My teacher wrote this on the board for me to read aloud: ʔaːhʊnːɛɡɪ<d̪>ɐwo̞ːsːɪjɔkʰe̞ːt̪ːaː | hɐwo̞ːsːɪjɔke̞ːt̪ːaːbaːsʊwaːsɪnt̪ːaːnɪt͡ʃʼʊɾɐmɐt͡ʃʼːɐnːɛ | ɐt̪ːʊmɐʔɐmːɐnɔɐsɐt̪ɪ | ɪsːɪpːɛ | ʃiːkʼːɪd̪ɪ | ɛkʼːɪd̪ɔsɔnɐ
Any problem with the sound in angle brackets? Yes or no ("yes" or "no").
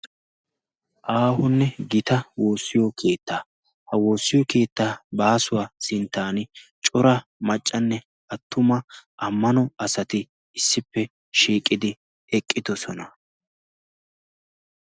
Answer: yes